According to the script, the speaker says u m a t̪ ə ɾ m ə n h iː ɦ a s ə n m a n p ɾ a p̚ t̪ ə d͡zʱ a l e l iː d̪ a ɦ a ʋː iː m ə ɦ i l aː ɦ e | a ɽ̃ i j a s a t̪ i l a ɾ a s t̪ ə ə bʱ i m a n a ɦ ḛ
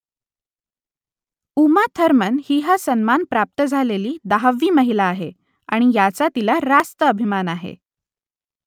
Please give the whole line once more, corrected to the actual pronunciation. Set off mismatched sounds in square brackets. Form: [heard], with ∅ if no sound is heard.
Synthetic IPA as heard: u m a [t̪ʰ] ə ɾ m ə n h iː ɦ a s ə n m a n p ɾ a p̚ t̪ ə d͡zʱ a l e l iː d̪ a ɦ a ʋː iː m ə ɦ i l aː ɦ e | a ɽ̃ i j a [t͡s] a t̪ i l a ɾ a s t̪ ə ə bʱ i m a n a ɦ ḛ